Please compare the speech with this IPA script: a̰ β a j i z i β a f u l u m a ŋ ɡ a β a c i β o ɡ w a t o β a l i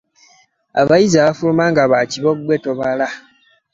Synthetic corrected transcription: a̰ β a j i z a β a f u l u m a ŋ ɡ a β a c i β o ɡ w e t o β a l a